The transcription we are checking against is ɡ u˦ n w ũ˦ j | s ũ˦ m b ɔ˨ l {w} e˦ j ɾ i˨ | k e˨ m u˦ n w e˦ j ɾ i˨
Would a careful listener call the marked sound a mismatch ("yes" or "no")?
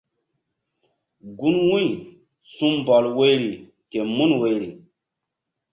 no